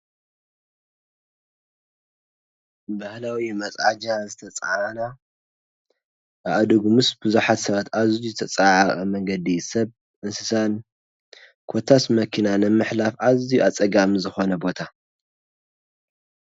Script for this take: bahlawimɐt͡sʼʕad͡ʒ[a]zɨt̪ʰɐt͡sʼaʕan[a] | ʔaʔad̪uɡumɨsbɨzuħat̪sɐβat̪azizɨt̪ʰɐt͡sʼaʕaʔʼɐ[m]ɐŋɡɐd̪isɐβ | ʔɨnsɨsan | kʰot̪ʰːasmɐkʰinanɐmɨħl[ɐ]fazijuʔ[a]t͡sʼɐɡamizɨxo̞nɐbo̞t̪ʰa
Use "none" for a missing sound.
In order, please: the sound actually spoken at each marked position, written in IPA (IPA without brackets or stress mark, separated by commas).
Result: a, a, m, a, a